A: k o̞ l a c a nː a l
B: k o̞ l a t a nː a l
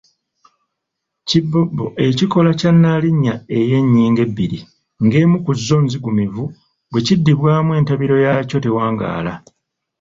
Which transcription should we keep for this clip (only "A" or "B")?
A